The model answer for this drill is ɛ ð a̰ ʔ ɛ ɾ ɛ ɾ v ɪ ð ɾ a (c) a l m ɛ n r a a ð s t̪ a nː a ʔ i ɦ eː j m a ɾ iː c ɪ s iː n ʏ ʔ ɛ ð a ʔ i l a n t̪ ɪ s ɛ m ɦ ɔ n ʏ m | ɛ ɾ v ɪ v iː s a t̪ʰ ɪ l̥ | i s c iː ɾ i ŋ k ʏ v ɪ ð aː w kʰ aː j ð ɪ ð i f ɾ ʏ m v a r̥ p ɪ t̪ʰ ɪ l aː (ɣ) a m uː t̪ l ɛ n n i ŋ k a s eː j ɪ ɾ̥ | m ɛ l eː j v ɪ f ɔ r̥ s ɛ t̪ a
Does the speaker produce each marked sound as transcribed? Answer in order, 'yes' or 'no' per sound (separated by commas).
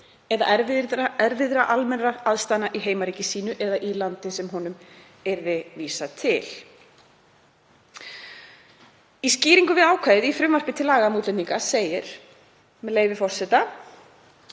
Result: no, yes